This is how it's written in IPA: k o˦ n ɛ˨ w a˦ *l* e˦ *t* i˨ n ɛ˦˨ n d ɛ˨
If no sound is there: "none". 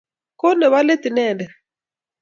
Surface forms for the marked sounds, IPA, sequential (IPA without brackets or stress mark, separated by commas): l, t